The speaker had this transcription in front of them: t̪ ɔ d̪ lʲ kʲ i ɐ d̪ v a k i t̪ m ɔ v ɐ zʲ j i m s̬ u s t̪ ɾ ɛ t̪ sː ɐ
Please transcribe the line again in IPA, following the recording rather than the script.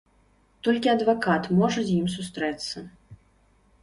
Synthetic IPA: t̪ ɔ lʲ kʲ i ɐ d̪ v a k a t̪ m ɔ ʐ ɐ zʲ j i m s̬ u s t̪ ɾ ɛ t̪ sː ɐ